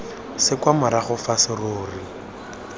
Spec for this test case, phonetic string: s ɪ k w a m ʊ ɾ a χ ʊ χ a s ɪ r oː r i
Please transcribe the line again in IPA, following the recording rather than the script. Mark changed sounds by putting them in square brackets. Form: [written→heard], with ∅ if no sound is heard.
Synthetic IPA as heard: s ɪ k w a m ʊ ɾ a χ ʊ [χ→f] a s ɪ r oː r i